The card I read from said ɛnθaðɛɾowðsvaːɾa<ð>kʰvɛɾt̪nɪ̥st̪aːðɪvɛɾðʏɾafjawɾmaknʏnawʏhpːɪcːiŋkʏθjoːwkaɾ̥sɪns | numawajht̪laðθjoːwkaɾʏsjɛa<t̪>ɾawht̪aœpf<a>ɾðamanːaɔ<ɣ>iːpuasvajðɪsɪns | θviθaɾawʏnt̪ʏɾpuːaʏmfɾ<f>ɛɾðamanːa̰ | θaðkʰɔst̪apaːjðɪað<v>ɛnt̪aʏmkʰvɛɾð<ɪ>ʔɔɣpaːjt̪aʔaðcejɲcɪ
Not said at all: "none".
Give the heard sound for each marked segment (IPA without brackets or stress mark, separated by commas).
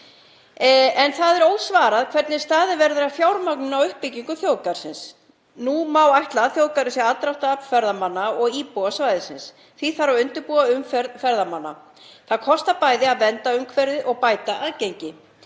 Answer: ð, t̪, ɛ, ɣ, f, v, ɪ